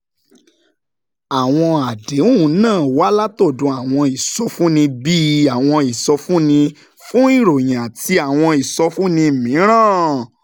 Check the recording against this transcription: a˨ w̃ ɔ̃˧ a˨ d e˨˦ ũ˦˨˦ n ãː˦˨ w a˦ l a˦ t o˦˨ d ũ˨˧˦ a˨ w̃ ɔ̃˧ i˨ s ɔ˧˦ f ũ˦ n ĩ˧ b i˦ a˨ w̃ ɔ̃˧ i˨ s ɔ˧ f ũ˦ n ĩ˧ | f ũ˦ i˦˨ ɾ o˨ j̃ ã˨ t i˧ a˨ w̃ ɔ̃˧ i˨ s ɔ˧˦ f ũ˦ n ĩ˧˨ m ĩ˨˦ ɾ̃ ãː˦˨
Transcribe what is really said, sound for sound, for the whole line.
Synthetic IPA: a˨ w̃ ɔ̃˧ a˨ d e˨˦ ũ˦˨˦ n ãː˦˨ w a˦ l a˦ t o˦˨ d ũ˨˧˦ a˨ w̃ ɔ̃˧ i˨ s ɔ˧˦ f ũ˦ n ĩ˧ b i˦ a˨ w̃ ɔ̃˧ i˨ s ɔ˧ f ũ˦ n ĩ˧ | f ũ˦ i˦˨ ɾ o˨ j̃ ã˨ t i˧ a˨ w̃ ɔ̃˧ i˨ s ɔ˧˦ f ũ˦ n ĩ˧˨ m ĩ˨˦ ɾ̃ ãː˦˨